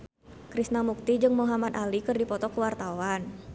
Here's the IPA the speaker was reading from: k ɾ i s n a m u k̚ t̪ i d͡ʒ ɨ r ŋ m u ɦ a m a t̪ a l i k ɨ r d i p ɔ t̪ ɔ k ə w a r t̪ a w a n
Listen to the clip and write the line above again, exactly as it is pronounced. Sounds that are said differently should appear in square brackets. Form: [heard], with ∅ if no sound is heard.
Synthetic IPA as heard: k ɾ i s n a m u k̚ t̪ i d͡ʒ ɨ [∅] ŋ m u ɦ a m a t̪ a l i k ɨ r d i p ɔ t̪ ɔ k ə w a r t̪ a w a n